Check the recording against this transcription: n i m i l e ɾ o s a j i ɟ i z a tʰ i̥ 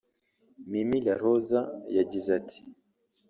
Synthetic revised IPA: m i m i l a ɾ o z a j a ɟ i z a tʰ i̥